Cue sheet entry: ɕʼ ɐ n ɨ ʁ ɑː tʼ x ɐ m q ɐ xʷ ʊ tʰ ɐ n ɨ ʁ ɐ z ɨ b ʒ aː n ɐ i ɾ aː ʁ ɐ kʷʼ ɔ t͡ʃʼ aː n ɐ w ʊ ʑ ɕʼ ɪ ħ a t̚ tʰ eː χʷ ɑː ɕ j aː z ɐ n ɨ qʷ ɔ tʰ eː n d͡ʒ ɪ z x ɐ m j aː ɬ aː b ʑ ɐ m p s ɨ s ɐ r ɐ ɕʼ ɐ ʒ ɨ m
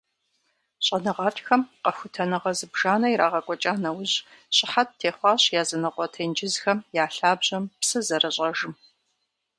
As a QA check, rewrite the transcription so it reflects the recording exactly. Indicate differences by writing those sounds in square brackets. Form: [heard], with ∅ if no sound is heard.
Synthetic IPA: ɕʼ ɐ n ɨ ʁ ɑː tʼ x ɐ m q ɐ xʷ ʊ tʰ ɐ n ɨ ʁ ɐ z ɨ b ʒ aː n ɐ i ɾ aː ʁ ɐ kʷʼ ɔ t͡ʃʼ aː n ɐ w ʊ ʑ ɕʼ ɪ ħ a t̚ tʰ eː χʷ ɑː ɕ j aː z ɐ n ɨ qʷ ɔ tʰ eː n d͡ʒ ɪ z x ɐ m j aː ɬ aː b ʑ ɐ m p s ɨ [z] ɐ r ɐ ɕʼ ɐ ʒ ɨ m